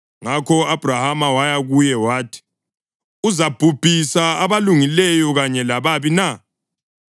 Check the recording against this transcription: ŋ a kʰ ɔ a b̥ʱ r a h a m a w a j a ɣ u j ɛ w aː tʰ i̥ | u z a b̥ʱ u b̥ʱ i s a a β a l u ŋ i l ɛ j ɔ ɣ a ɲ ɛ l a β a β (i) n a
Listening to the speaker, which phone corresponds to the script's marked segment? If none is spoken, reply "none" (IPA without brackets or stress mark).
i